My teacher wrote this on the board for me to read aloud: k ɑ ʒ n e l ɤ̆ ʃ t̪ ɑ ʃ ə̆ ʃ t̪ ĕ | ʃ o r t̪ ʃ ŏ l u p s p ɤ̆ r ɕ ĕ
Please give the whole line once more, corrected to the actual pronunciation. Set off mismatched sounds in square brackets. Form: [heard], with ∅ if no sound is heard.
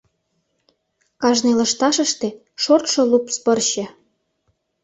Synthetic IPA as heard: k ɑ ʒ n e l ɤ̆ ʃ t̪ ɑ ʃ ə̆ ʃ t̪ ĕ | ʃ o r t̪ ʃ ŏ l u p s p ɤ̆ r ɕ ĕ